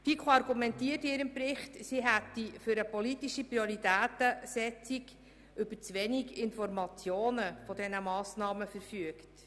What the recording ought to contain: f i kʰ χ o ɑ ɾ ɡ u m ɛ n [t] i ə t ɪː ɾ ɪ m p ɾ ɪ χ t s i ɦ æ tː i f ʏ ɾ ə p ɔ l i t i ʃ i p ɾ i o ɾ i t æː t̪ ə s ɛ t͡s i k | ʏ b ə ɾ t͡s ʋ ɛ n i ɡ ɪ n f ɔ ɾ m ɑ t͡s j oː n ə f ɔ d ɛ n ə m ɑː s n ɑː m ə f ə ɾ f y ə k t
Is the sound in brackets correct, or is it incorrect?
correct